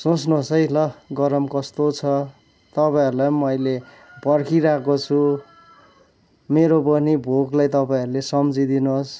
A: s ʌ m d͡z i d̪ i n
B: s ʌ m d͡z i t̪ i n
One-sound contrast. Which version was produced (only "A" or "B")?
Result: A